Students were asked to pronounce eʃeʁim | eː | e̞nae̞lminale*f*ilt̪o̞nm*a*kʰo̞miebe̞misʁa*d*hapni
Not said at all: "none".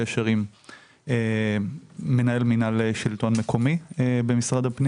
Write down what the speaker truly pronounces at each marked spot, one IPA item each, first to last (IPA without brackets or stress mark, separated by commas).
ʃ, e, d